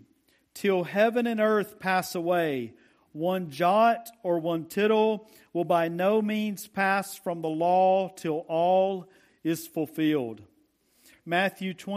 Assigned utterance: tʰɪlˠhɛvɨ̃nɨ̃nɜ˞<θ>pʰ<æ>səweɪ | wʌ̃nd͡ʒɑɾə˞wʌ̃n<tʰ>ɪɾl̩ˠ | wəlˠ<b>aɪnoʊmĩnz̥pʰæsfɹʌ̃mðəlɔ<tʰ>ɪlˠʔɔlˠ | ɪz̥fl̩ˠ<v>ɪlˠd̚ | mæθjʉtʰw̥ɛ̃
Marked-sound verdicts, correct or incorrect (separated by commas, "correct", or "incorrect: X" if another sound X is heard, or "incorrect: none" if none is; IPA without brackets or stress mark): correct, correct, correct, correct, correct, incorrect: f